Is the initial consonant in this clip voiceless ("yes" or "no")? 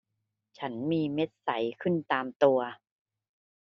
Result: yes